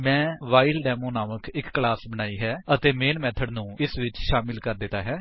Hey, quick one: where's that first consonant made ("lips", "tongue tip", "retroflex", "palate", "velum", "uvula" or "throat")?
lips